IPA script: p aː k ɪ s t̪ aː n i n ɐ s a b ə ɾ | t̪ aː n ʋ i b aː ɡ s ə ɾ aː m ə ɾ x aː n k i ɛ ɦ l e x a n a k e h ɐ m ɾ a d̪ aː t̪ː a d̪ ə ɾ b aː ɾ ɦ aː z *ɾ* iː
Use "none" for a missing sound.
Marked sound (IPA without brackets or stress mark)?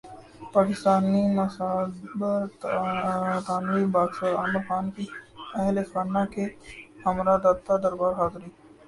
ɾ